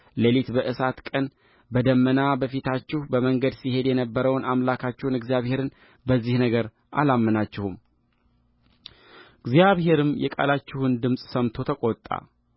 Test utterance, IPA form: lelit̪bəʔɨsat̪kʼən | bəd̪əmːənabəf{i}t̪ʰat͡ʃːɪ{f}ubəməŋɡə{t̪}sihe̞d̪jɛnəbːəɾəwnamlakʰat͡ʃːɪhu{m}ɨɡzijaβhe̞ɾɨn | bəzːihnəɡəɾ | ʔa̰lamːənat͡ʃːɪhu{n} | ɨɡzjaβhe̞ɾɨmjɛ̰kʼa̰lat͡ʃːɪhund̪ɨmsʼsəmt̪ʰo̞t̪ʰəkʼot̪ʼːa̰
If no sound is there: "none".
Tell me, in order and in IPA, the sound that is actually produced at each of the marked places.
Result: i, h, d̪, n, m

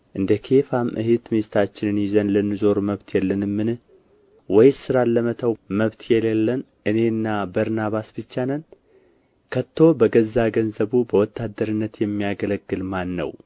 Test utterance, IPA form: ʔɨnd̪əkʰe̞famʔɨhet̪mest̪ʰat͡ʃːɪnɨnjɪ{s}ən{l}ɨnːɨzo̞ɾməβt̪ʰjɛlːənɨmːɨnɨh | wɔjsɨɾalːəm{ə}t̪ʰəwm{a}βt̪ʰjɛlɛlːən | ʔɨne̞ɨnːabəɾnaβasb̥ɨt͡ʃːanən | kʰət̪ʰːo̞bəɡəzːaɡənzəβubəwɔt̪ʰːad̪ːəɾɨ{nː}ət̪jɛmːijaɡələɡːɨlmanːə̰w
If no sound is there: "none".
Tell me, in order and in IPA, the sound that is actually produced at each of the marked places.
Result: z, l, ə, ə, nː

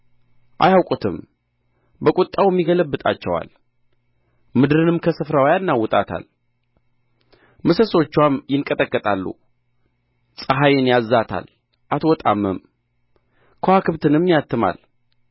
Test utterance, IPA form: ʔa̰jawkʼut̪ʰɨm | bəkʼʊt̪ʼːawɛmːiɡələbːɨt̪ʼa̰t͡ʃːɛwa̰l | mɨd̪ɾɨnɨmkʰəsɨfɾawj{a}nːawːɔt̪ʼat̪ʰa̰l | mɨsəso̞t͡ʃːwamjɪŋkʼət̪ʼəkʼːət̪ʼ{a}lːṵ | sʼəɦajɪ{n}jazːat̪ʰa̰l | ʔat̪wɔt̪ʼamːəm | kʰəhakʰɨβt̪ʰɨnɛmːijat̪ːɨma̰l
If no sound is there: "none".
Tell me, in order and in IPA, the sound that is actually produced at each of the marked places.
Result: a, a, n

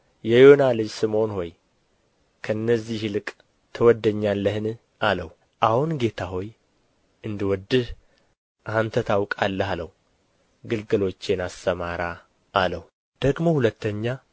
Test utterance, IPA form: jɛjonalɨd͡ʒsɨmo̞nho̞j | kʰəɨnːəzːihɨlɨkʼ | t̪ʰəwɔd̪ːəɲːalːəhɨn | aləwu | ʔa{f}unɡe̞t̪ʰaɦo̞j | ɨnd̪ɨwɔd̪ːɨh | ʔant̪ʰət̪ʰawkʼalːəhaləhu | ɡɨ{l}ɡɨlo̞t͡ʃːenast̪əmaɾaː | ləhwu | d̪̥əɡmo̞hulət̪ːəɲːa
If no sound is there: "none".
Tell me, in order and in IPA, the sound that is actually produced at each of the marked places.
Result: h, l

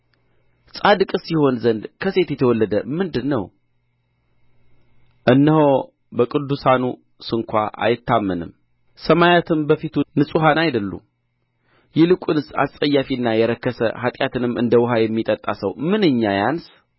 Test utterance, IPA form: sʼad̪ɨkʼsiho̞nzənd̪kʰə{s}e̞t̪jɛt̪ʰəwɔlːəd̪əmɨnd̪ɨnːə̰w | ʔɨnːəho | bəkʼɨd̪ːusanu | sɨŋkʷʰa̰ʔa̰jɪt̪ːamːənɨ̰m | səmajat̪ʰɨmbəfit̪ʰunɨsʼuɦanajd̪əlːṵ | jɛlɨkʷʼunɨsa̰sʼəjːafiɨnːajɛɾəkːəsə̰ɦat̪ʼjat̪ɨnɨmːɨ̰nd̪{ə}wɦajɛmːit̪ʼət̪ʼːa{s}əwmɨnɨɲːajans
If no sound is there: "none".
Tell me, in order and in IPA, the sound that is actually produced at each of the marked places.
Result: s, ə, s

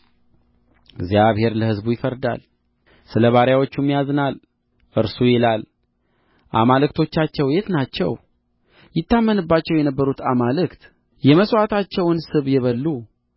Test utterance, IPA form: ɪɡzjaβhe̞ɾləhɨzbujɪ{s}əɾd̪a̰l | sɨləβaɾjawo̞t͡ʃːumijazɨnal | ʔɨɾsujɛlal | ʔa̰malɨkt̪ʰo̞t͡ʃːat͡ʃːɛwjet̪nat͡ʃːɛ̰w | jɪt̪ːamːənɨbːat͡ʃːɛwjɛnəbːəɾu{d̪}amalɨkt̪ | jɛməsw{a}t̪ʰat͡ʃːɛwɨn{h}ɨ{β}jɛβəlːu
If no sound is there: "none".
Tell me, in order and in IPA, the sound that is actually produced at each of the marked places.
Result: f, t̪, a, s, β

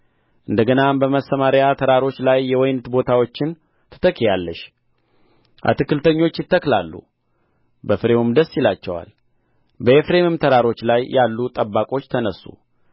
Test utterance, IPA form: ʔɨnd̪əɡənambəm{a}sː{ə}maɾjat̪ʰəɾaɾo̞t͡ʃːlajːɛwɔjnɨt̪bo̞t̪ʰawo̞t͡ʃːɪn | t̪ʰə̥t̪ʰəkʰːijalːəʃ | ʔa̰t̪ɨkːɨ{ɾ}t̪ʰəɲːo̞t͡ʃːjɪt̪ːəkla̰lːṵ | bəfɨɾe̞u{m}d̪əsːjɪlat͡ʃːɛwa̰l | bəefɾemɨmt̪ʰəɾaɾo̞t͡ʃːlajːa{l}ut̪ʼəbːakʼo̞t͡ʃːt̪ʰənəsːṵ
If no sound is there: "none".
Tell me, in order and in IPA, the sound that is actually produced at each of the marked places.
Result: ə, ə, l, m, lː

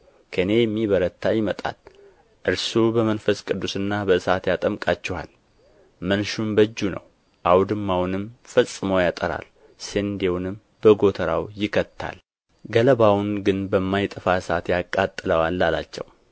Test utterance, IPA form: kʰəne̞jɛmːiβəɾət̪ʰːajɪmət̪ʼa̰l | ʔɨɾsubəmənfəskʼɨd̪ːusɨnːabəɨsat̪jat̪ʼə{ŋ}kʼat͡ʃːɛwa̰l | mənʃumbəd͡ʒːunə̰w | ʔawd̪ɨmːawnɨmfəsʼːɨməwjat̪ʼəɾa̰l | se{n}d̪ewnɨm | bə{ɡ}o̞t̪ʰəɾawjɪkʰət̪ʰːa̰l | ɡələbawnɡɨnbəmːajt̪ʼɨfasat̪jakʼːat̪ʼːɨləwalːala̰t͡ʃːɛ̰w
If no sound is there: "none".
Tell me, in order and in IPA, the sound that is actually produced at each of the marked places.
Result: m, n, ɡ

